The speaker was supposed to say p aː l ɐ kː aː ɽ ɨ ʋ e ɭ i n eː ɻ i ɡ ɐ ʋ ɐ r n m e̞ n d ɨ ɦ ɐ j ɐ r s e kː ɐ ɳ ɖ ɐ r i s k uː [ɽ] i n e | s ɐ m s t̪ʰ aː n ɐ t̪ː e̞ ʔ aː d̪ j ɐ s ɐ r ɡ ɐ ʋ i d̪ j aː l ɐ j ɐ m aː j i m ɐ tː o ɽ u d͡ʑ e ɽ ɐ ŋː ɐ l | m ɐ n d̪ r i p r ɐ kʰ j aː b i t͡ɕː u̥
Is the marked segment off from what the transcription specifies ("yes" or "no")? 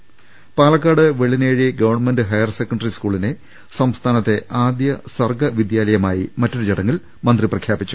yes